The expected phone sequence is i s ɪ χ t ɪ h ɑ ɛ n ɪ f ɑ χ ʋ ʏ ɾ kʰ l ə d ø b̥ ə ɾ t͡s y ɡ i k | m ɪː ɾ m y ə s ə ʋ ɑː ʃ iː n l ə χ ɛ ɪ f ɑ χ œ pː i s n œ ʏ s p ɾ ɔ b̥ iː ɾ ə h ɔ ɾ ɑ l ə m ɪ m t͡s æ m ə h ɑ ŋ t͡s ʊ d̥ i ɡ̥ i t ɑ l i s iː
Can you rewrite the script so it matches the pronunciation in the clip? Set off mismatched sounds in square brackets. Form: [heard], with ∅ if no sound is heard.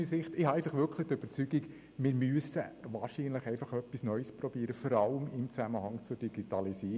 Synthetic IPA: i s ɪ χ t ɪ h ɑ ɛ [∅] ɪ f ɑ χ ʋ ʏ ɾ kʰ l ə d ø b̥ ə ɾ t͡s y ɡ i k | m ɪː ɾ m y ə s ə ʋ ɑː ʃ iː n l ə χ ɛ ɪ f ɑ χ œ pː i s n œ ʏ s p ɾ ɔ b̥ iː ɾ ə [f] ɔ ɾ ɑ l ə m ɪ m t͡s æ m ə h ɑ ŋ t͡s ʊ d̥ i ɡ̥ i t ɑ l i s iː